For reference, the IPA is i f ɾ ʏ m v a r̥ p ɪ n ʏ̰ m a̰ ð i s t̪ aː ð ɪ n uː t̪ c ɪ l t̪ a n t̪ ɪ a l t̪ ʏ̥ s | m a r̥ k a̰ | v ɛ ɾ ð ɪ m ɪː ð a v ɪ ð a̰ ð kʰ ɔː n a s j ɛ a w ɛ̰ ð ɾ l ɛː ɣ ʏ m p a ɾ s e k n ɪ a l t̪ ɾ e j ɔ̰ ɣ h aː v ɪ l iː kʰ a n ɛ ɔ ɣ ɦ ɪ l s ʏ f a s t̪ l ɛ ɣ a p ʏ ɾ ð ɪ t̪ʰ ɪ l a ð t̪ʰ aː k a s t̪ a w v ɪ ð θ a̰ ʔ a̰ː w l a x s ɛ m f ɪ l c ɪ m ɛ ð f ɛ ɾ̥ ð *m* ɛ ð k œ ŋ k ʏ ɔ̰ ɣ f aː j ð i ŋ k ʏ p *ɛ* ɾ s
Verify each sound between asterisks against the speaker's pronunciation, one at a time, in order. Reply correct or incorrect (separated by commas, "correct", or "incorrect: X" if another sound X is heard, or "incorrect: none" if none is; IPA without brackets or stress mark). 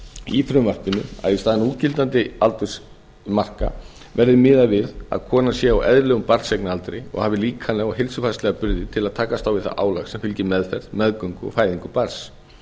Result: correct, incorrect: a